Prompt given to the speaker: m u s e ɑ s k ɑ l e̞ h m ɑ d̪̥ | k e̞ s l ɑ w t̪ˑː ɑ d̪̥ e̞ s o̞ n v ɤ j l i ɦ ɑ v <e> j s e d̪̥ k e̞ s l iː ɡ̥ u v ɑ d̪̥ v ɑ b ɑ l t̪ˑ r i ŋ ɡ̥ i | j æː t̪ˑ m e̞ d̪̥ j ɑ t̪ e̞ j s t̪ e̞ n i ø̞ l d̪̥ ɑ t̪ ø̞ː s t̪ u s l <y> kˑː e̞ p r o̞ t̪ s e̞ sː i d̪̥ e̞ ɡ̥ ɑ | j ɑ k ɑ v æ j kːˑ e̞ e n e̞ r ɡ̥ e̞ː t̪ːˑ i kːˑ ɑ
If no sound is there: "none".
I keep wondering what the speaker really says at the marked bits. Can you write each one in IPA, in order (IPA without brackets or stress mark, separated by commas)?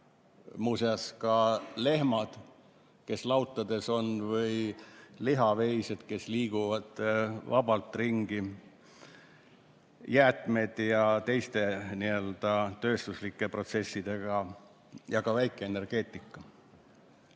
e, i